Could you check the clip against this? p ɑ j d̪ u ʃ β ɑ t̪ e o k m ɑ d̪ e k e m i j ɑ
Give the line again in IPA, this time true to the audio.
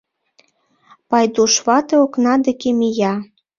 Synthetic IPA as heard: p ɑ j d̪ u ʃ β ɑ t̪ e o k n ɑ d̪ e k e m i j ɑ